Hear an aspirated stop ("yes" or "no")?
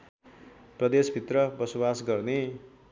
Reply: no